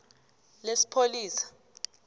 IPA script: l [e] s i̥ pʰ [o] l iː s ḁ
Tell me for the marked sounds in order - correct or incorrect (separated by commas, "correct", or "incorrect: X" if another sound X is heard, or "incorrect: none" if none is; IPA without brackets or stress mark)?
correct, correct